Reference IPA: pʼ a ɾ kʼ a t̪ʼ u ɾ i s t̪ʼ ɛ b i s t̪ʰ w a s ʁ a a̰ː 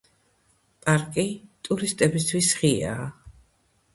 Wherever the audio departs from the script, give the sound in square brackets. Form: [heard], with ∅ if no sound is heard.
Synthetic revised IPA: pʼ a ɾ kʼ [i] t̪ʼ u ɾ i s t̪ʼ ɛ b i s t̪ʰ w [i] s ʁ [i] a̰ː